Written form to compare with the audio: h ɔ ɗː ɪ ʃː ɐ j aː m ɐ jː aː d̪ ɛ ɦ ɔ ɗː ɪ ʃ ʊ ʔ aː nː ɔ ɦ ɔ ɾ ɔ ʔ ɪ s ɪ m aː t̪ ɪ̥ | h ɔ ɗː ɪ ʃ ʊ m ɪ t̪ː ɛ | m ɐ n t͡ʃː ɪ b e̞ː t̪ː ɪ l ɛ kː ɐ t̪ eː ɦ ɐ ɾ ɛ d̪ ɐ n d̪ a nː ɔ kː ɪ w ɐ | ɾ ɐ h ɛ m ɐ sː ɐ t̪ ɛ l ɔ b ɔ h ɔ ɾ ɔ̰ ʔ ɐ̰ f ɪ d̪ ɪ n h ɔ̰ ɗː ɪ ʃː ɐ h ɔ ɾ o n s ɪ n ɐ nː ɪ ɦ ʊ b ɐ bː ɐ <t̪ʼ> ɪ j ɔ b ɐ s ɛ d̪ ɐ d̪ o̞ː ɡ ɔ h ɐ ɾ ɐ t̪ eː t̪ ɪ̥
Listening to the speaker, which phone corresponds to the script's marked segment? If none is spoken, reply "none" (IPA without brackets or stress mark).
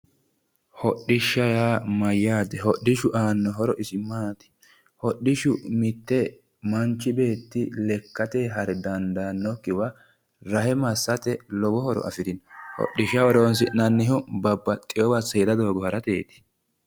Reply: t̪ʼ